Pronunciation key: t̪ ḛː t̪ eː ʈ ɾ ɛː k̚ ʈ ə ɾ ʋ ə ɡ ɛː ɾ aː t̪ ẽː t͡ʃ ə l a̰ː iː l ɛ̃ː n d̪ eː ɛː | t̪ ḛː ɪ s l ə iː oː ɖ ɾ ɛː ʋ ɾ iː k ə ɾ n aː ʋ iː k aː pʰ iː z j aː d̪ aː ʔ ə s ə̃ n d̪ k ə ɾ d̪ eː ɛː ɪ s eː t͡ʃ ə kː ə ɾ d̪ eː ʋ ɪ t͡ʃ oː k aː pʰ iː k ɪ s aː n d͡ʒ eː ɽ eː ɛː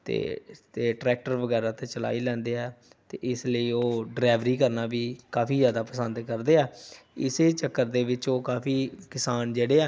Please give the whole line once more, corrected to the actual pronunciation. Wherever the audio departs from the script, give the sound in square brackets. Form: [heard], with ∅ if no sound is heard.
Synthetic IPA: t̪ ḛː t̪ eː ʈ ɾ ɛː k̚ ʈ ə ɾ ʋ ə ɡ ɛː ɾ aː t̪ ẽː t͡ʃ ə l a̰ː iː l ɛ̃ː n d̪ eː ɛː | t̪ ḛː ɪ s l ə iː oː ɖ ɾ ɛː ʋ ɾ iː k ə ɾ n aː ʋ iː k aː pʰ iː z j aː d̪ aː [p] ə s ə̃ n d̪ k ə ɾ d̪ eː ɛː ɪ s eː t͡ʃ ə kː ə ɾ d̪ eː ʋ ɪ t͡ʃ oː k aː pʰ iː k ɪ s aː n d͡ʒ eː ɽ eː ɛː